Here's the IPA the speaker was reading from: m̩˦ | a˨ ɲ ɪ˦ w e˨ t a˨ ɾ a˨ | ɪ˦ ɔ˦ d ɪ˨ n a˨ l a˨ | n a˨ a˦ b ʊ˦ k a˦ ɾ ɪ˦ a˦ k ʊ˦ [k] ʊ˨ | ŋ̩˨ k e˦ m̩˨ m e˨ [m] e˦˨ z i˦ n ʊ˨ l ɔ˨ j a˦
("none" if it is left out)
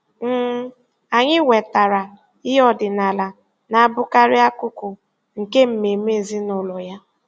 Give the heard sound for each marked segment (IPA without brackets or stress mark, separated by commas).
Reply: k, m